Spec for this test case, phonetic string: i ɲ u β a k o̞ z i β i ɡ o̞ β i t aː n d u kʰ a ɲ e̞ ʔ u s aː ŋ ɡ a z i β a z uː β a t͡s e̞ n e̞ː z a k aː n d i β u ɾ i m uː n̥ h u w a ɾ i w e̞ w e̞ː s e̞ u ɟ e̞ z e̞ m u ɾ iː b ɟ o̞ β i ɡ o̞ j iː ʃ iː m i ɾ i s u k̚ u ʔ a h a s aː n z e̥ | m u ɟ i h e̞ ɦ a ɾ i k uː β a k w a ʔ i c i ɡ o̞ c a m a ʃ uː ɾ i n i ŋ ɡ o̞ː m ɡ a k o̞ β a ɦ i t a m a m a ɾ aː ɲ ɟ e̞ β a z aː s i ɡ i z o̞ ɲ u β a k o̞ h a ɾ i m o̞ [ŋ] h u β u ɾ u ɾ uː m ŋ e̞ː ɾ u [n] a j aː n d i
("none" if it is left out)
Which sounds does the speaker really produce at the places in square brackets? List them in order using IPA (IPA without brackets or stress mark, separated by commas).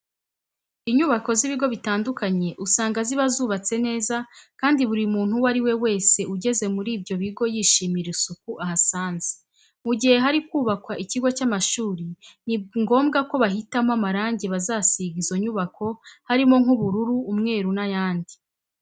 ŋ, n